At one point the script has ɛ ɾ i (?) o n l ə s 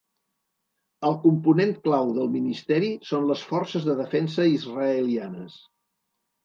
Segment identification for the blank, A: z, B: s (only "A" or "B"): B